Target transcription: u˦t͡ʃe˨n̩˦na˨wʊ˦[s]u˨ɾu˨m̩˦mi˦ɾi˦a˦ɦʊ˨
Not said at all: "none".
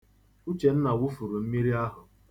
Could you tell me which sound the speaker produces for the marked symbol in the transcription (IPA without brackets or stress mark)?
f